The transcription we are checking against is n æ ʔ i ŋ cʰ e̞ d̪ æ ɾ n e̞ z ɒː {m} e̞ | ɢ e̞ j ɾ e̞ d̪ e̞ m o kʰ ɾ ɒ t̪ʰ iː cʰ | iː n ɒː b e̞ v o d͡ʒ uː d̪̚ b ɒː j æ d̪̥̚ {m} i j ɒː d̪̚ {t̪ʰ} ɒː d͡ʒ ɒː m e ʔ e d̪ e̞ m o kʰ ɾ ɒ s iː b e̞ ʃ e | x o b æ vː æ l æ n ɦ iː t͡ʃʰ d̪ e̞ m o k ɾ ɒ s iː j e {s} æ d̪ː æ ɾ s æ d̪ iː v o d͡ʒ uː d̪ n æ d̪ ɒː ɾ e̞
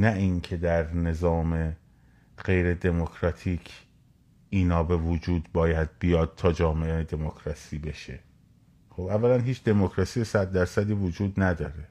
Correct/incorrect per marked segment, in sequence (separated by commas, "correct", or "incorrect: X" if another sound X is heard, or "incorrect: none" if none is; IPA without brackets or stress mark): correct, incorrect: b, correct, correct